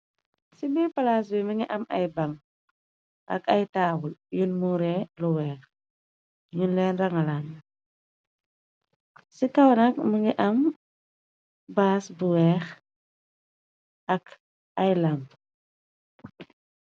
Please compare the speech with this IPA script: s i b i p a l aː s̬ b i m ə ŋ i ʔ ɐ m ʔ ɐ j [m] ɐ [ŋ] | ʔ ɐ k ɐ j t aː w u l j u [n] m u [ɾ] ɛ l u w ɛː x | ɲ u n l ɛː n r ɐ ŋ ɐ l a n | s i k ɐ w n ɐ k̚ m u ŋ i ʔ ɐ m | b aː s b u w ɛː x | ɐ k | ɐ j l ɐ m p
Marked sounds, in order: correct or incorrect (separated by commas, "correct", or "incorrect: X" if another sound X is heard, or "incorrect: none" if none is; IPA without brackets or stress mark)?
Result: incorrect: b, correct, correct, correct